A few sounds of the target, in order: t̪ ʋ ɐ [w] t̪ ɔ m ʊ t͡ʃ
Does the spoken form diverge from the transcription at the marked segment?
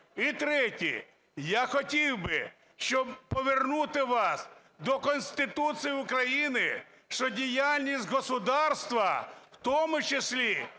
no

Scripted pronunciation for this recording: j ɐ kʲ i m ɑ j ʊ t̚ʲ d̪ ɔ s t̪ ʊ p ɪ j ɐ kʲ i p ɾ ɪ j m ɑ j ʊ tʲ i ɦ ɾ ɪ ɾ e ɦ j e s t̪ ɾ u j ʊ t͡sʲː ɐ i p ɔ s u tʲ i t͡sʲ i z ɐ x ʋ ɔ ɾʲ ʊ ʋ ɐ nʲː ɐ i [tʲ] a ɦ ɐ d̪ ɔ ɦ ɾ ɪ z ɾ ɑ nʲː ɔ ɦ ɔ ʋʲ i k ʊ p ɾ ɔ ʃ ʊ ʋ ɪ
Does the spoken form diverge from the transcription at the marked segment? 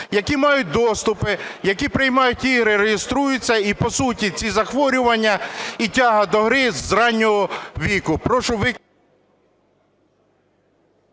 no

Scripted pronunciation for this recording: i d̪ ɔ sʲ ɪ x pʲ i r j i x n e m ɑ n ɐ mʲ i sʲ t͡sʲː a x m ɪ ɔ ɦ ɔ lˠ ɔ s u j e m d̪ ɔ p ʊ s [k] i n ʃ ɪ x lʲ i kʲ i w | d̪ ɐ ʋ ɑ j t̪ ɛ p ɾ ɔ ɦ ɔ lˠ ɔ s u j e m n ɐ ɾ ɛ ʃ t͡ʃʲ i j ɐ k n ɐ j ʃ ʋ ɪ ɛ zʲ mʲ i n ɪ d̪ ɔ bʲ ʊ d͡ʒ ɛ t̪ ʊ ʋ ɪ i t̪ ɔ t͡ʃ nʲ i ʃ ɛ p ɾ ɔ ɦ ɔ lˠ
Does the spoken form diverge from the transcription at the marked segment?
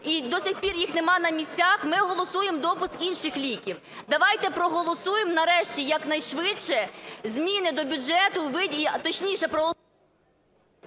no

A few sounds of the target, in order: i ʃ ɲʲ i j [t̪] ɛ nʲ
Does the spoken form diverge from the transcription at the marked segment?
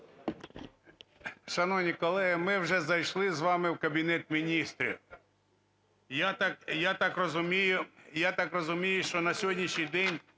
yes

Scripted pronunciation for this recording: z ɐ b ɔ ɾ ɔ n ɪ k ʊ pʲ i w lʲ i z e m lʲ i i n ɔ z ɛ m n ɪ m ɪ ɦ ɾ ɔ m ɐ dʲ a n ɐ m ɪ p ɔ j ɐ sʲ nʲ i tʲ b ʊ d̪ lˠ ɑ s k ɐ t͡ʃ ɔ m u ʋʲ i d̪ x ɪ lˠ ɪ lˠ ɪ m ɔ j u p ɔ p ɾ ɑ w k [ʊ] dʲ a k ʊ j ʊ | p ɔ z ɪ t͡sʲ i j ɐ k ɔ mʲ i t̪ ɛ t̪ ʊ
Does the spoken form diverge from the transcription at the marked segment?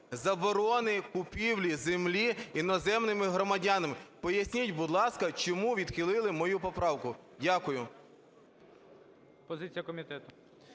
no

